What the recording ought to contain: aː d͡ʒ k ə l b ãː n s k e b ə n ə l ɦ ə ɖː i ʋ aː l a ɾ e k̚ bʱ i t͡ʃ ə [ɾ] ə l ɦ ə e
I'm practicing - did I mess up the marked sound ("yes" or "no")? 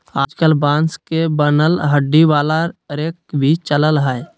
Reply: yes